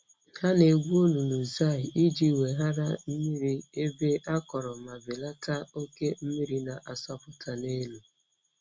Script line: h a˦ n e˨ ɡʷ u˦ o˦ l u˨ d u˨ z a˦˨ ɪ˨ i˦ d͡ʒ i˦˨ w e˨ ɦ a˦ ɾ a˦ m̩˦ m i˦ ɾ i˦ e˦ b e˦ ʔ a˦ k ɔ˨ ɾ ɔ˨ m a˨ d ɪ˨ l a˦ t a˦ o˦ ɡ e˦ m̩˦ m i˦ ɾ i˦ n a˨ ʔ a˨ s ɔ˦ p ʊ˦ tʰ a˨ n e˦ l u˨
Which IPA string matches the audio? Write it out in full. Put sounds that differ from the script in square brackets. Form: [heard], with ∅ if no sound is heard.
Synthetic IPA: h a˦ n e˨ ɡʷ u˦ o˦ l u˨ [n] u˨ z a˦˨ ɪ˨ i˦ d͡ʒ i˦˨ w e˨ ɦ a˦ ɾ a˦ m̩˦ m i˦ ɾ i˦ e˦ b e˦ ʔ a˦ k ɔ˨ ɾ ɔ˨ m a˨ [b] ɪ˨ l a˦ t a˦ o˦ [k] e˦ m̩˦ m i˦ ɾ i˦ n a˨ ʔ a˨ s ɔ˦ p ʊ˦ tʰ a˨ n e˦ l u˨